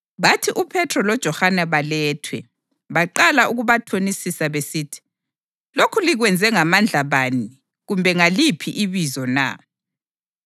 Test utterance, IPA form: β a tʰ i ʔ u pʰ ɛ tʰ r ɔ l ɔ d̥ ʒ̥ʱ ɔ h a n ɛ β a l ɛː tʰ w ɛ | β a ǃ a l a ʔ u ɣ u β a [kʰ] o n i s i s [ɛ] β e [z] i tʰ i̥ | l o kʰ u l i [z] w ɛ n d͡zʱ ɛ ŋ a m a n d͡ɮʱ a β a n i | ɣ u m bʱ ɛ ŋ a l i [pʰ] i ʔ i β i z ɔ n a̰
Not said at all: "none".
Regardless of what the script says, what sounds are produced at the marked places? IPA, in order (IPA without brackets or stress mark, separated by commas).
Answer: tʰ, a, s, ɣ, pʰ